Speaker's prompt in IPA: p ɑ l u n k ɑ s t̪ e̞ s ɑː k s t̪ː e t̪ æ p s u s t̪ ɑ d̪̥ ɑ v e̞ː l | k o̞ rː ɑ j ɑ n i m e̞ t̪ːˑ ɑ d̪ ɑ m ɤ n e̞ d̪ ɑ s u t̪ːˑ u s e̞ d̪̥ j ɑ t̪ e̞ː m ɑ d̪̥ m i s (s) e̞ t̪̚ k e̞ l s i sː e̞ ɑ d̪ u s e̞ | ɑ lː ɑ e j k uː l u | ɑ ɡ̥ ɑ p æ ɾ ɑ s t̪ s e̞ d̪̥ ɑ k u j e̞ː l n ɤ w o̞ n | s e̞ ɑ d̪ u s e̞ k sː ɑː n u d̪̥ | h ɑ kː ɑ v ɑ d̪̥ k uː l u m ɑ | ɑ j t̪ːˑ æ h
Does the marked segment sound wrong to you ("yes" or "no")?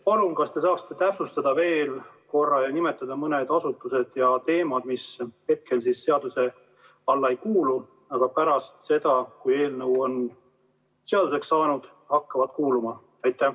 yes